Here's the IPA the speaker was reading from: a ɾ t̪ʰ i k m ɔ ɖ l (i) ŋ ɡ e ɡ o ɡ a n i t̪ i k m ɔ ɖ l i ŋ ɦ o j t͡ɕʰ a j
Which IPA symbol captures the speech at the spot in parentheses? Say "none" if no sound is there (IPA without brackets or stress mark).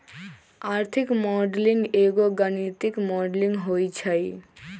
i